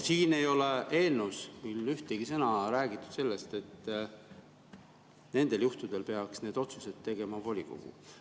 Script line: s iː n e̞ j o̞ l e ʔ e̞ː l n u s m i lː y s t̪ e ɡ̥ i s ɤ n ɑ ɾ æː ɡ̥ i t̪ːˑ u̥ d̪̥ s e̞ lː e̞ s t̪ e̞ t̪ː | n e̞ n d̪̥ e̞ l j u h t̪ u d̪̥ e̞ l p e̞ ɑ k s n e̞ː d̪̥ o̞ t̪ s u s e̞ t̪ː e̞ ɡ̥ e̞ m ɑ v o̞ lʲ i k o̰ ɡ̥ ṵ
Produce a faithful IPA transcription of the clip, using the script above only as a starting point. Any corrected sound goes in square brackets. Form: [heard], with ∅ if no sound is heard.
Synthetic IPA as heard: s iː n e̞ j o̞ l e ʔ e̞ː l n u s m i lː y [h] t̪ e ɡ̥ i s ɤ n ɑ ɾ æː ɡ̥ i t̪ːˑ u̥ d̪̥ s e̞ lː e̞ s t̪ e̞ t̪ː | n e̞ n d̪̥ e̞ l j u h t̪ u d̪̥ e̞ l p e̞ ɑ k s n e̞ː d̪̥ o̞ t̪ s u s e̞ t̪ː e̞ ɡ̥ e̞ m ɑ v o̞ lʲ i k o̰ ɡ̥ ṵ